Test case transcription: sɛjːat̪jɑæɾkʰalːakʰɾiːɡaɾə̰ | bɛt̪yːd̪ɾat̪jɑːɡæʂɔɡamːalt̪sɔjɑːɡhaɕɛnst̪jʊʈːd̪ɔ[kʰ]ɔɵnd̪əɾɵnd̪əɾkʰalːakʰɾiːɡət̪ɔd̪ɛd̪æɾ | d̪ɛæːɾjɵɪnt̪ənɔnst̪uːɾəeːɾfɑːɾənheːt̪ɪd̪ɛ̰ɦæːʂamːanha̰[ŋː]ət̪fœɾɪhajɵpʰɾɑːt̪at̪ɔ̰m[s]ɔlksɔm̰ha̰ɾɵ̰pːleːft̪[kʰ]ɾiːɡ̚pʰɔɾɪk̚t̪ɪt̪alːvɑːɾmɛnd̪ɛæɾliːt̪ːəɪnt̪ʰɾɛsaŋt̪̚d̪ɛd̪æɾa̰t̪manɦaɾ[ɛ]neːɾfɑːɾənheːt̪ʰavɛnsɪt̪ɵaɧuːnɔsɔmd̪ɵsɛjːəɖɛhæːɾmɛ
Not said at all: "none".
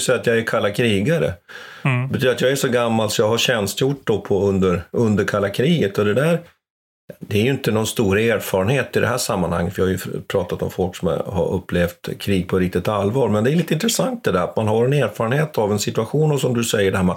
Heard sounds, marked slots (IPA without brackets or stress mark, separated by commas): pʰ, ŋː, f, kʰ, ɛ